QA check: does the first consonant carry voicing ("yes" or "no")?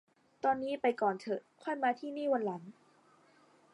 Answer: no